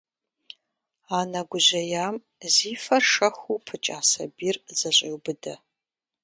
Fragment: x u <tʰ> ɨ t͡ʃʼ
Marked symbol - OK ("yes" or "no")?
no